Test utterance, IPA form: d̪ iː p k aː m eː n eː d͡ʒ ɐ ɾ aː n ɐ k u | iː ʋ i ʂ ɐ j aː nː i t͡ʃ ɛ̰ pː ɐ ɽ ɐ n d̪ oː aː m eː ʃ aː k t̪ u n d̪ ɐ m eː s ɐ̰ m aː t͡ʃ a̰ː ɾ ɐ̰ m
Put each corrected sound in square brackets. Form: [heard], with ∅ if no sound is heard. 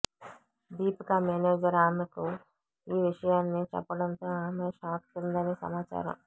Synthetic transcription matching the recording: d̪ iː p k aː m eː n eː d͡ʒ ɐ ɾ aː n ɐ k u | iː ʋ i ʂ ɐ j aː nː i t͡ʃ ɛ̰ pː ɐ ɽ ɐ n [t̪] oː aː m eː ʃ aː k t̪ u n d̪ ɐ [n] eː s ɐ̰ m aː t͡ʃ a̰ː ɾ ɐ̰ m